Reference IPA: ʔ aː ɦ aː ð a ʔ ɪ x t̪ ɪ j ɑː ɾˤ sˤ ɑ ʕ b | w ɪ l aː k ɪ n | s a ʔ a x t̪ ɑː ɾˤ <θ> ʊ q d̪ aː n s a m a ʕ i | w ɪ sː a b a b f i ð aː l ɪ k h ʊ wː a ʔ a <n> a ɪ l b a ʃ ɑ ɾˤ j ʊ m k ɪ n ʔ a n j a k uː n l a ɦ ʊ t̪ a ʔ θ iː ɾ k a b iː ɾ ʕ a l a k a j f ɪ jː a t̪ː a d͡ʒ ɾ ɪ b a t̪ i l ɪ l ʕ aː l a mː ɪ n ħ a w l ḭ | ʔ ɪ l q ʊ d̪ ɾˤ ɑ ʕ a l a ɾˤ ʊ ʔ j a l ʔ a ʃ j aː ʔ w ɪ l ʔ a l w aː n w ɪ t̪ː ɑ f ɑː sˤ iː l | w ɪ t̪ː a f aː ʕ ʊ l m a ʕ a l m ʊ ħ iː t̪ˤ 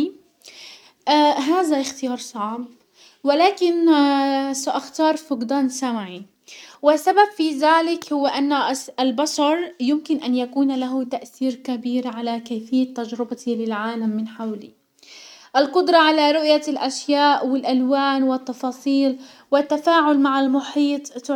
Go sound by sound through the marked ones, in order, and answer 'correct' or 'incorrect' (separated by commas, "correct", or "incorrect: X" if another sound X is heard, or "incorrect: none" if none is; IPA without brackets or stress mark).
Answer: incorrect: f, incorrect: nː